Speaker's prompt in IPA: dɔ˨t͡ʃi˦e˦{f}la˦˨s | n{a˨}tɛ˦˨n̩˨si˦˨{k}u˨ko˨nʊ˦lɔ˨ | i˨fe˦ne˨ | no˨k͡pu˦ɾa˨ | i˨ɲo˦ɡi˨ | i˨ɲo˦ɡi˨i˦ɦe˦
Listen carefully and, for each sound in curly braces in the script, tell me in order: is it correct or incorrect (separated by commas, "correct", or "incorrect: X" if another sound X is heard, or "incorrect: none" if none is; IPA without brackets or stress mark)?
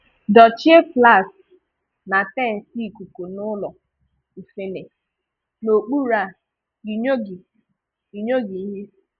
correct, correct, correct